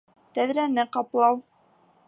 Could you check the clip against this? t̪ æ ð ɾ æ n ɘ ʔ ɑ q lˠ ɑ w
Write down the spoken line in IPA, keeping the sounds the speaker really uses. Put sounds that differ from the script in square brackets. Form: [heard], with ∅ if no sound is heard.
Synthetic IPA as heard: t̪ æ ð ɾ æ n ɘ [q] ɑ [p] lˠ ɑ w